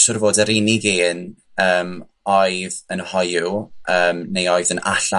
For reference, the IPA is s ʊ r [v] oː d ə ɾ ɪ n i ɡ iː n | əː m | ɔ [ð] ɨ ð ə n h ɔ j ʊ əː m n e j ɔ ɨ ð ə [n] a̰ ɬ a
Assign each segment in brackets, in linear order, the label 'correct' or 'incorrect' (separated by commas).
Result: correct, incorrect, correct